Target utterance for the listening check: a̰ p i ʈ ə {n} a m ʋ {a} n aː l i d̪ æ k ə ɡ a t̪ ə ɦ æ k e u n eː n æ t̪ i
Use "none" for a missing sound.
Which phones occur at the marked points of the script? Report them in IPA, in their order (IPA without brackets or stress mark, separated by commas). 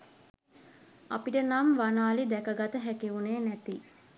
n, a